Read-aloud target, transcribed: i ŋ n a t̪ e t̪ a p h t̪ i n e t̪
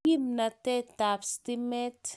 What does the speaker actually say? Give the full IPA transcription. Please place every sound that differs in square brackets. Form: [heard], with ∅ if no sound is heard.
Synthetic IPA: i [m] n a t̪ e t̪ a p [s] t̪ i [m] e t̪